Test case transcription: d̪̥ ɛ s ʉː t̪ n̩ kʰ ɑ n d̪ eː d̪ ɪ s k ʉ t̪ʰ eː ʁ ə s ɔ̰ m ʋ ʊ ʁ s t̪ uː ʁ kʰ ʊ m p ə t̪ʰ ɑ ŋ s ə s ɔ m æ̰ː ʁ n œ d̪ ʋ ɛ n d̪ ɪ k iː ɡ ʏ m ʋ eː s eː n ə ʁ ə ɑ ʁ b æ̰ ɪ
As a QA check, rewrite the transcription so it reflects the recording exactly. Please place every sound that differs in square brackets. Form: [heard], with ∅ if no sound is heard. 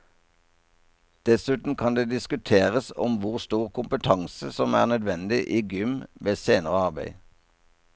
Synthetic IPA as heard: d̪̥ ɛ s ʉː t̪ n̩ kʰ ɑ n d̪ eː d̪ ɪ s k ʉ t̪ʰ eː ʁ ə s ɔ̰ m ʋ ʊ ʁ s t̪ uː ʁ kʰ ʊ m p ə t̪ʰ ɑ ŋ s ə s ɔ m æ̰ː ʁ n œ d̪ ʋ ɛ n d̪ ɪ [ʔ] iː ɡ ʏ m ʋ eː s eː n ə ʁ ə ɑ ʁ b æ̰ ɪ